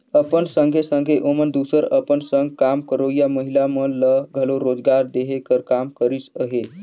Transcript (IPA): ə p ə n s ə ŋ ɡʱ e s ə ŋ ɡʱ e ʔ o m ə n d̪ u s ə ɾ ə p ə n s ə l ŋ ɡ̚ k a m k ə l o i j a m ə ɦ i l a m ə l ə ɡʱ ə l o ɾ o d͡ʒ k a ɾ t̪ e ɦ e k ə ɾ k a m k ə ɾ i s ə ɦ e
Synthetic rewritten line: ə p ə n s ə ŋ ɡʱ e s ə ŋ ɡʱ e ʔ o m ə n d̪ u s ə ɾ ə p ə n s ə ŋ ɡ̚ k a m k ə ɾ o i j a m ə ɦ i l a m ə l ə ɡʱ ə l o ɾ o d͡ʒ ɡ a ɾ d̪ e ɦ e k ə ɾ k a m k ə ɾ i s ə ɦ e